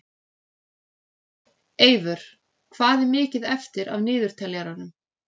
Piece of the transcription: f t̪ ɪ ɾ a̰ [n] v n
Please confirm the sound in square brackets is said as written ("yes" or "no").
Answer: no